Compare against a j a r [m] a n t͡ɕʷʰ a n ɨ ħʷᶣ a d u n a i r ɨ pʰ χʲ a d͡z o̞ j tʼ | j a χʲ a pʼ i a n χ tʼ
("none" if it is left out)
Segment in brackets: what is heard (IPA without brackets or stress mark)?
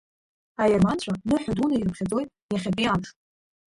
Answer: m